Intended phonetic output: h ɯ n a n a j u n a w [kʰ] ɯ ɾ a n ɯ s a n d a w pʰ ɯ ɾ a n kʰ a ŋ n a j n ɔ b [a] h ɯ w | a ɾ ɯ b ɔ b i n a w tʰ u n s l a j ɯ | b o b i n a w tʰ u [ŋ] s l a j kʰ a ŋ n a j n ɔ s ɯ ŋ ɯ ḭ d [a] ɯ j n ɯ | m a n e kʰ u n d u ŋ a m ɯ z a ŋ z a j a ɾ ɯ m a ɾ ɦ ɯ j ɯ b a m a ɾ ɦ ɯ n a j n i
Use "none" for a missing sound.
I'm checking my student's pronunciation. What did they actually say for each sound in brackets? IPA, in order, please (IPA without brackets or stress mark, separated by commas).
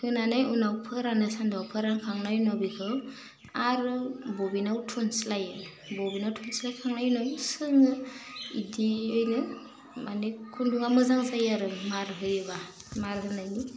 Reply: pʰ, i, n, i